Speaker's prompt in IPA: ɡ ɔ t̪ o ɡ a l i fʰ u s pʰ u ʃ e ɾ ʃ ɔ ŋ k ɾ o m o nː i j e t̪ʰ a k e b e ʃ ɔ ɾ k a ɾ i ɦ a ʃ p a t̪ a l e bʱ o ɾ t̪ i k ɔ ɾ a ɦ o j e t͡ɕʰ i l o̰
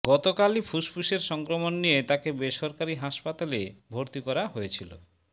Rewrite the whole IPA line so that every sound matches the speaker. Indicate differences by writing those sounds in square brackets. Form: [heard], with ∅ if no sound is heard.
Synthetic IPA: ɡ ɔ t̪ o [k] a l i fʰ u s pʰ u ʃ e ɾ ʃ ɔ ŋ k ɾ o m o nː i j e [t̪] a k e b e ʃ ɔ ɾ k a ɾ i ɦ a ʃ p a t̪ a l e bʱ o ɾ t̪ i k ɔ ɾ a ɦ o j e t͡ɕʰ i l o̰